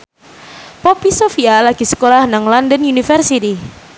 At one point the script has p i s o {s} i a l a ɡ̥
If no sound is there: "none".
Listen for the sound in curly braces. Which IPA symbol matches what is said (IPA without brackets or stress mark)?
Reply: f